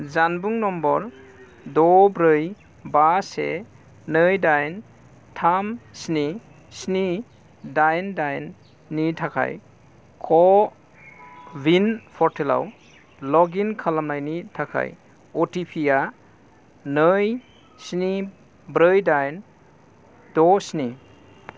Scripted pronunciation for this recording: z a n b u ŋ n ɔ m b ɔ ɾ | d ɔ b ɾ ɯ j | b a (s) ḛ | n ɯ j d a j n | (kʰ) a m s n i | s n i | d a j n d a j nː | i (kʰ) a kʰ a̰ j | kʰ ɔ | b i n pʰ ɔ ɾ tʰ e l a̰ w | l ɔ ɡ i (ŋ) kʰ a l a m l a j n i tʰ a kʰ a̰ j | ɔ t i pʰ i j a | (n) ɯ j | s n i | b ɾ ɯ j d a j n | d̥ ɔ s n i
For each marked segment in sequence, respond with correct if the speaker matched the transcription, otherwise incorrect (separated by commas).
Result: correct, incorrect, incorrect, incorrect, correct